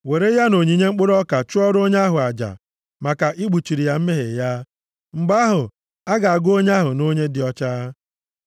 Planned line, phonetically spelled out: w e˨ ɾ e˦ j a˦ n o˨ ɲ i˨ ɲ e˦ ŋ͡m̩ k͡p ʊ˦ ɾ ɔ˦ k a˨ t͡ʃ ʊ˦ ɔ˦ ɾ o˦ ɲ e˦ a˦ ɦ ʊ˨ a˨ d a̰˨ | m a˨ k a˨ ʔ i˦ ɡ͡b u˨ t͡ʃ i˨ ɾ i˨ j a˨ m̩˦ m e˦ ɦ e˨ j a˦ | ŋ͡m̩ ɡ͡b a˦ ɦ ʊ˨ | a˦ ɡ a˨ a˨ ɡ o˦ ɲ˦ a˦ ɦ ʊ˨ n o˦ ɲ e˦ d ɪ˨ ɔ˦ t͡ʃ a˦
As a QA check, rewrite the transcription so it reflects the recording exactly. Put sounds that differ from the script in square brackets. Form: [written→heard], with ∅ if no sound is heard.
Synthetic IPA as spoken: w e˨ ɾ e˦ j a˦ n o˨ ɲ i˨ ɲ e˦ ŋ͡m̩ k͡p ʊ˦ ɾ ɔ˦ k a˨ t͡ʃ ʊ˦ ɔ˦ ɾ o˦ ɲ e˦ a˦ ɦ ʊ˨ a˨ [d→d͡ʒ] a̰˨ | m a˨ k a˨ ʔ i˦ ɡ͡b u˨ t͡ʃ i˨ ɾ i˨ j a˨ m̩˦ m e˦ ɦ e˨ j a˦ | ŋ͡m̩ ɡ͡b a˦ ɦ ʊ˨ | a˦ ɡ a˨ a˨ ɡ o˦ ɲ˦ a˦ ɦ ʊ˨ n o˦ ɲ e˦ d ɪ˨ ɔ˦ t͡ʃ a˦